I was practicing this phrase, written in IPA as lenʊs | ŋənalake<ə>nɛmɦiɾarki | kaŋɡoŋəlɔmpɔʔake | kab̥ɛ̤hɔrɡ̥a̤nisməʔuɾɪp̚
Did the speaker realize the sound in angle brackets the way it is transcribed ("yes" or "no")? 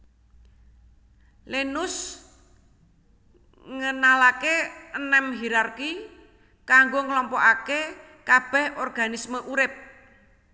yes